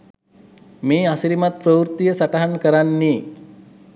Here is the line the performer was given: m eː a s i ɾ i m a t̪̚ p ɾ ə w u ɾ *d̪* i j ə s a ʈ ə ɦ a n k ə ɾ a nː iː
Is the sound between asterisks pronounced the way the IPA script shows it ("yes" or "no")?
no